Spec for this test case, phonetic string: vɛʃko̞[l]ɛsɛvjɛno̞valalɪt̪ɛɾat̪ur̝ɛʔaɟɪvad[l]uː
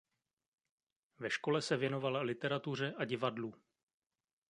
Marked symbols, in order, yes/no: yes, yes

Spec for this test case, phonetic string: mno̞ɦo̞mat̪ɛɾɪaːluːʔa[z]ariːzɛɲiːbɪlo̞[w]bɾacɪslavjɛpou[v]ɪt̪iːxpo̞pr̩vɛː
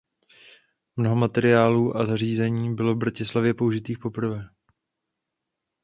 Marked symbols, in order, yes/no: yes, no, no

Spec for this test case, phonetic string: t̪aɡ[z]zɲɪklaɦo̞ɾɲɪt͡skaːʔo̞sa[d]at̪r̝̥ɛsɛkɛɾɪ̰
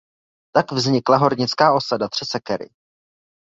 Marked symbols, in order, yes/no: no, yes

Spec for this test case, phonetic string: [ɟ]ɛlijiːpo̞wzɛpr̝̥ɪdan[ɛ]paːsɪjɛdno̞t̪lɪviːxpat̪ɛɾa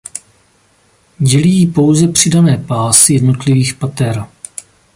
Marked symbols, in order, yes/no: yes, no

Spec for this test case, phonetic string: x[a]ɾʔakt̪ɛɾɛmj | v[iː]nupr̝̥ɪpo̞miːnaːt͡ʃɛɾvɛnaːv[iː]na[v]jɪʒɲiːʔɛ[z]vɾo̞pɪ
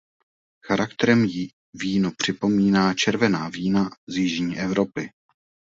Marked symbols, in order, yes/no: yes, yes, yes, no, no

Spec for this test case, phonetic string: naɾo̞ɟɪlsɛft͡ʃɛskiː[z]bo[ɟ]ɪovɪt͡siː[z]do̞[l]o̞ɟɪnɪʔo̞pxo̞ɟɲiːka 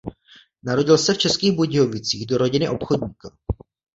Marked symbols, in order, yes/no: no, yes, no, no

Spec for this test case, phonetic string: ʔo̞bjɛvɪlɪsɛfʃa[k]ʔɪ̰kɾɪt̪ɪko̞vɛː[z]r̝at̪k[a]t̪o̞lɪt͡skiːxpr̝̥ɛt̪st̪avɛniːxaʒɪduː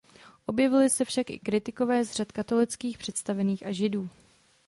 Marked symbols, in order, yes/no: yes, yes, yes

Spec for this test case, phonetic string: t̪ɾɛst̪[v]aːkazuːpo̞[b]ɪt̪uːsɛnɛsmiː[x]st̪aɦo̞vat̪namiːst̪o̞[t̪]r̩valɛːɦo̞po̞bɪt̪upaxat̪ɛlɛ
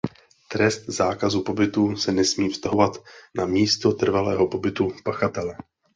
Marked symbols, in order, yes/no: no, yes, no, yes

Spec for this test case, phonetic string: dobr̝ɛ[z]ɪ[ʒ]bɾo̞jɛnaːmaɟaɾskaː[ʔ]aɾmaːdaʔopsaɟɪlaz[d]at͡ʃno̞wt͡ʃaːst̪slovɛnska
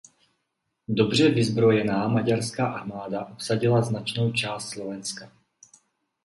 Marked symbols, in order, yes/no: no, no, yes, no

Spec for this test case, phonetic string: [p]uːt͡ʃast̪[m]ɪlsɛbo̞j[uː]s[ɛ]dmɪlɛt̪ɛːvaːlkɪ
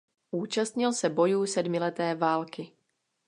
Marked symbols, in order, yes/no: no, no, yes, yes

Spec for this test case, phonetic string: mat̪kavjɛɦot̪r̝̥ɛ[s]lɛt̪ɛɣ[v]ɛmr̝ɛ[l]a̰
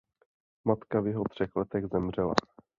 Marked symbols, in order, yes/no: no, no, yes

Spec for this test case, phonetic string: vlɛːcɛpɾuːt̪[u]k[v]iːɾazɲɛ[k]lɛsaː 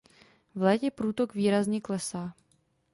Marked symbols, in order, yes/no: no, yes, yes

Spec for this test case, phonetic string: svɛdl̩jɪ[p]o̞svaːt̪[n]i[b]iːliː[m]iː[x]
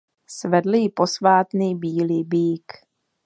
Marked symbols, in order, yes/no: yes, yes, yes, no, no

